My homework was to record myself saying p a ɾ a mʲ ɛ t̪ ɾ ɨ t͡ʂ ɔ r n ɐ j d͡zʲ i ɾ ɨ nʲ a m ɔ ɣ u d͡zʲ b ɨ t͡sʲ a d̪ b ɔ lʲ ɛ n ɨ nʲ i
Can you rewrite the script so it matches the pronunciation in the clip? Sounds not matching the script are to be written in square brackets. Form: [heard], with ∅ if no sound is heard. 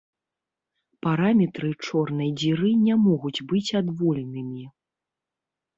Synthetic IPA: p a ɾ a mʲ ɛ t̪ ɾ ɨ t͡ʂ ɔ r n ɐ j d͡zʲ i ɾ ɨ nʲ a m ɔ ɣ u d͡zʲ b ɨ t͡sʲ a d̪ [v] ɔ lʲ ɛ n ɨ [mʲ] i